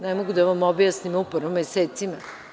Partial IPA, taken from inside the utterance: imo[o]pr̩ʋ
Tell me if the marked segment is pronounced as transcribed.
no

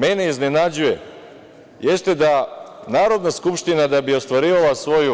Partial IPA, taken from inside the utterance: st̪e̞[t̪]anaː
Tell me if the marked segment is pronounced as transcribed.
no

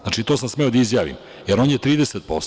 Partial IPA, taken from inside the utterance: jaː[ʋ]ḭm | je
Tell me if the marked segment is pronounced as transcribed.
yes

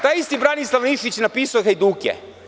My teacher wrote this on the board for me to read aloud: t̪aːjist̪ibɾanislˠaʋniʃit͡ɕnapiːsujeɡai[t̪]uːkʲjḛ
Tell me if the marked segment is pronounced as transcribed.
no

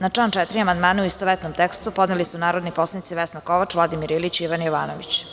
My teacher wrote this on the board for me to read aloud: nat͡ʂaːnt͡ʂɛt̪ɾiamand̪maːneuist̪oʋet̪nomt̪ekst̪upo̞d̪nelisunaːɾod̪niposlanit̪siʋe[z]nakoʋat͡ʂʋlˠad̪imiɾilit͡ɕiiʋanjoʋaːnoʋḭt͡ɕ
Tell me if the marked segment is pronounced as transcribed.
no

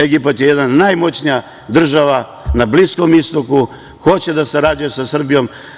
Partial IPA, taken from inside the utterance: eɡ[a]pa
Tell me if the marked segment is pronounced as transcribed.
no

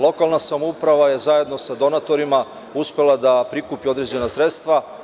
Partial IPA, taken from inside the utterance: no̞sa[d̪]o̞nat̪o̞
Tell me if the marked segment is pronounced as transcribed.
yes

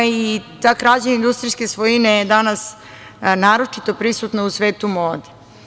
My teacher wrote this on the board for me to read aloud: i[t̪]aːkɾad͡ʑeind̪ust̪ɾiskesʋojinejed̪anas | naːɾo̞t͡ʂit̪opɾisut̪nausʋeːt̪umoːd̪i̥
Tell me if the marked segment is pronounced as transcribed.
yes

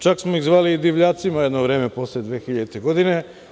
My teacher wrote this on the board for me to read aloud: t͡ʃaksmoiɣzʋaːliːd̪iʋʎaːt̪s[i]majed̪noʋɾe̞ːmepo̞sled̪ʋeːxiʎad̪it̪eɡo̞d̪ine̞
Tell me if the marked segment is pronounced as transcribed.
yes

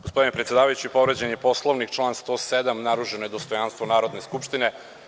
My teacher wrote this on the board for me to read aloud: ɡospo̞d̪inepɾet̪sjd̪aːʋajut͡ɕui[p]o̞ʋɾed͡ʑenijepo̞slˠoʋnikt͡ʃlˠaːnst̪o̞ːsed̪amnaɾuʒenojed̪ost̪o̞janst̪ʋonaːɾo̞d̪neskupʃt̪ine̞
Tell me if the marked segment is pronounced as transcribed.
yes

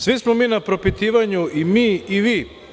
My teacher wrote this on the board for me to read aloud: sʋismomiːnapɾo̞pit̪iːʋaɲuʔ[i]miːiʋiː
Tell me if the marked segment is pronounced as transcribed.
yes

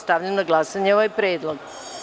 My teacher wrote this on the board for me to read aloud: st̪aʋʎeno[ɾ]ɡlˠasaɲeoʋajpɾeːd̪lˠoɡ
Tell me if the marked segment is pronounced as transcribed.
no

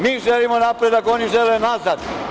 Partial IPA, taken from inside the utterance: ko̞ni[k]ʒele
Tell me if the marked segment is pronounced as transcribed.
no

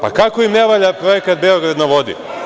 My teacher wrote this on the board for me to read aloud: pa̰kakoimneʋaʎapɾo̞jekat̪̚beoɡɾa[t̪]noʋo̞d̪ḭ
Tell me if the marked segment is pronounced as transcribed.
no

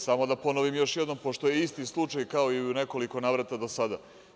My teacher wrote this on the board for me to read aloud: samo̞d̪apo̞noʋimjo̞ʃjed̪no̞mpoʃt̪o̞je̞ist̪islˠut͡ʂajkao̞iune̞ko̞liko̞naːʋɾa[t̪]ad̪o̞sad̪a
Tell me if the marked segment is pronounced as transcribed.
yes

